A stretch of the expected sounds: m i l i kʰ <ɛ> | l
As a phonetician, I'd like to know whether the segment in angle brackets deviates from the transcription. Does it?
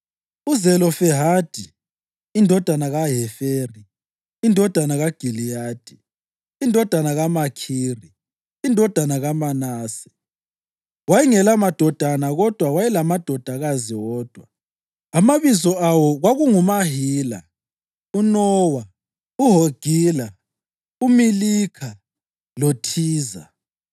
yes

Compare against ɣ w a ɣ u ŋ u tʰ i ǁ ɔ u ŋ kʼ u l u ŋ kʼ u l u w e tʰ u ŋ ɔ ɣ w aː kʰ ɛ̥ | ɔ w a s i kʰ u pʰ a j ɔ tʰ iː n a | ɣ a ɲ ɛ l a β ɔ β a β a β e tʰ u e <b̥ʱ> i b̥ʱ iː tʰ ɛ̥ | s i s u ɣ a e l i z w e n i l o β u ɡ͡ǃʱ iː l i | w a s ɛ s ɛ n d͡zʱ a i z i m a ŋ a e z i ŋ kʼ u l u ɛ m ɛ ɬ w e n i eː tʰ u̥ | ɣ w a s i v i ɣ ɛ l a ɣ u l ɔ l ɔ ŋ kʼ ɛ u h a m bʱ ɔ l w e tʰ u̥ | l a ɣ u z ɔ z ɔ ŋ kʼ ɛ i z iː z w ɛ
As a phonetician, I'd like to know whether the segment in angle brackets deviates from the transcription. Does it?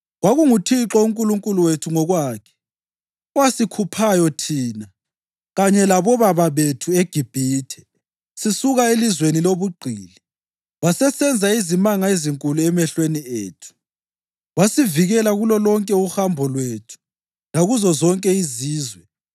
yes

